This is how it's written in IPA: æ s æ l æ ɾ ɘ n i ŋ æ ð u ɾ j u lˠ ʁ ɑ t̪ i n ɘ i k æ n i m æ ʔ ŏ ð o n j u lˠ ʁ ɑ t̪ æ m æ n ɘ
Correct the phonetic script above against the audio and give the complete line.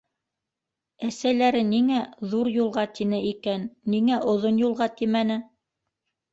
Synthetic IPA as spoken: æ s æ l æ ɾ ɘ n i ŋ æ ð u ɾ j u lˠ ʁ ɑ t̪ i n ɘ i k æ nː i ŋ æ ʔ ŏ ð o n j u lˠ ʁ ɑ t̪ i m æ n ɘ